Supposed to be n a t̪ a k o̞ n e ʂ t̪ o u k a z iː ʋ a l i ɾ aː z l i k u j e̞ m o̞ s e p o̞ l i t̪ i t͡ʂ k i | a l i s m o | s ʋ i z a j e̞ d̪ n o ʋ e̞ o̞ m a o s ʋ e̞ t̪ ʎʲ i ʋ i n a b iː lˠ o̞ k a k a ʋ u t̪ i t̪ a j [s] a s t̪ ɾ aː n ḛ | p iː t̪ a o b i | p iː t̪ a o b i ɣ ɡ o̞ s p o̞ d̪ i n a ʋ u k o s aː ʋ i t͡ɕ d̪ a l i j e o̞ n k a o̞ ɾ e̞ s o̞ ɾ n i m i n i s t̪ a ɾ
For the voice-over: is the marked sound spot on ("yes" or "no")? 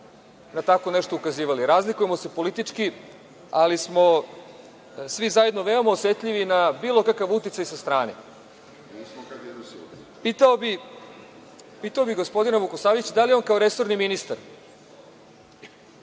yes